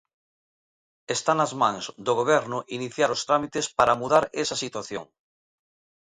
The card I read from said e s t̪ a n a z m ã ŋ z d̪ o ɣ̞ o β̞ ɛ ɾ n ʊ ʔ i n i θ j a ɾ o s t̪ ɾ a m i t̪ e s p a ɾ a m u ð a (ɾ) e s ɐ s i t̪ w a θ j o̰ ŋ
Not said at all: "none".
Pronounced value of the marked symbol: ɾ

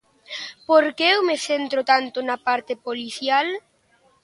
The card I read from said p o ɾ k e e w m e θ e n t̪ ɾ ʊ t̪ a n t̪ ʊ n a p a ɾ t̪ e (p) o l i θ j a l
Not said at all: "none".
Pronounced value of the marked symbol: p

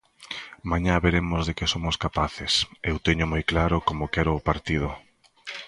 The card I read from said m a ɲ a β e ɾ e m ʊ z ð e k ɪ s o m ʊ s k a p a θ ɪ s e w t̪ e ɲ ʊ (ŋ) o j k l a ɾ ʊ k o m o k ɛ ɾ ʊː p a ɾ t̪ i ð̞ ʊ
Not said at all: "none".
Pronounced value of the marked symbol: m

